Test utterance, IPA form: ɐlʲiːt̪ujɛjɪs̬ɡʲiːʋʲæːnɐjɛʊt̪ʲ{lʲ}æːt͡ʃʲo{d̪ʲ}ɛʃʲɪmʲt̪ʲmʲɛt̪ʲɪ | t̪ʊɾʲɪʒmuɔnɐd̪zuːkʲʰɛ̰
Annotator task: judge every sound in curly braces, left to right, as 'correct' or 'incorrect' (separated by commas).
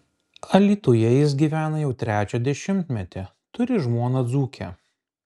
incorrect, correct